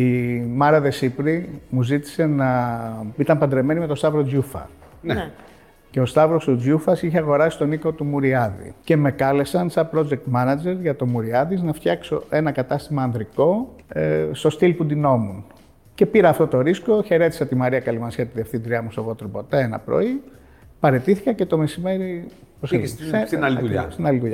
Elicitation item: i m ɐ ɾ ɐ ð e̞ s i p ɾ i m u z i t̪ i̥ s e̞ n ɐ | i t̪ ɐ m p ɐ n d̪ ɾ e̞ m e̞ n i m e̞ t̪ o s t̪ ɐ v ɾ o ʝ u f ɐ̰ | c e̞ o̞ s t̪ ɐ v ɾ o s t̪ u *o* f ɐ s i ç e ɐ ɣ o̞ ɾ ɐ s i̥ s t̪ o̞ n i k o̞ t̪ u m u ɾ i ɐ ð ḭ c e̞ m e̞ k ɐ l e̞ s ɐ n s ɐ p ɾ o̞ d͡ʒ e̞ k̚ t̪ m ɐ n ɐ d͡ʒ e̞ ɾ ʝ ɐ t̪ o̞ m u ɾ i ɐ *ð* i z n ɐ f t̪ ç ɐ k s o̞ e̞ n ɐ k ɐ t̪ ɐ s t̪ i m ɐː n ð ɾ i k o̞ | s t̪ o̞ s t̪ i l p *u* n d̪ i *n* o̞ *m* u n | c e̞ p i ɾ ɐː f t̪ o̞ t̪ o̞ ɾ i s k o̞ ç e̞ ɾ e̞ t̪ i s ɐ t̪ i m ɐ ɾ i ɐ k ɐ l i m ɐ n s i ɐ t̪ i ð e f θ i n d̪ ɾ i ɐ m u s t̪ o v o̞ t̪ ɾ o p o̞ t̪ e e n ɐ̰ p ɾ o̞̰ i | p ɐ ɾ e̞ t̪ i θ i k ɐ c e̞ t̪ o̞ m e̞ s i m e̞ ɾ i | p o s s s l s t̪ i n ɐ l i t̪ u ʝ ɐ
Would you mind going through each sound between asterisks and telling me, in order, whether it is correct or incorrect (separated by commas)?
incorrect, correct, correct, correct, correct